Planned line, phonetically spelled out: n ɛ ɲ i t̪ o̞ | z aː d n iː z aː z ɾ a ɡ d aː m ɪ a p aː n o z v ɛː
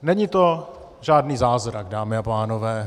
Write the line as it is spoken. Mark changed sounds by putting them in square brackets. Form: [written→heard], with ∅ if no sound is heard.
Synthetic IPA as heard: n ɛ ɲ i t̪ o̞ | [z→ʒ] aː d n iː z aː z ɾ a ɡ d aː m ɪ a p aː n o [z→∅] v ɛː